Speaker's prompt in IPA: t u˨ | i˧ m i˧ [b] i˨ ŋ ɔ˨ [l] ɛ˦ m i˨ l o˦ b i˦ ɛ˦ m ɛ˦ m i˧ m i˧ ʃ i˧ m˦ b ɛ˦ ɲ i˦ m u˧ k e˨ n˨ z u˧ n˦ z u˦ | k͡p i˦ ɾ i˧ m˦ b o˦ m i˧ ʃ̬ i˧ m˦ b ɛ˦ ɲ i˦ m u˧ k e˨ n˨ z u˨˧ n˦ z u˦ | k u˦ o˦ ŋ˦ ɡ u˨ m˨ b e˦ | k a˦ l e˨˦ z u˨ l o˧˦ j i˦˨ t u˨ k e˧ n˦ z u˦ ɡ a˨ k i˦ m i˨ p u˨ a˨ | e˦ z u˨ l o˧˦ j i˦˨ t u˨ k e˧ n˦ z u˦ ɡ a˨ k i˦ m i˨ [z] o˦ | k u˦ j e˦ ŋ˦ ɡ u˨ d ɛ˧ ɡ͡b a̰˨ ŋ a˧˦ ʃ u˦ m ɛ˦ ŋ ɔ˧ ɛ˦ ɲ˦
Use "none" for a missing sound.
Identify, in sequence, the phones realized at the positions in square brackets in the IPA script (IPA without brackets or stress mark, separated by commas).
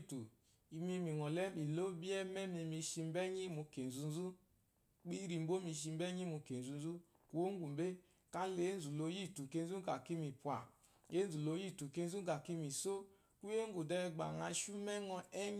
m, l, s